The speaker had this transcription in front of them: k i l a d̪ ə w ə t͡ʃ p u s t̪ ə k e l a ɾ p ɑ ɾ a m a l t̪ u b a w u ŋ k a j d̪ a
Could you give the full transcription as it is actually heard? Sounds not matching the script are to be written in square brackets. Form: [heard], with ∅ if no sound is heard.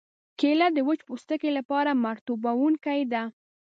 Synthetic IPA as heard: k [e] l a d̪ ə w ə t͡ʃ p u s t̪ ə k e l a [∅] p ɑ ɾ a m a [ɾ] t̪ u b a w u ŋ k a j d̪ a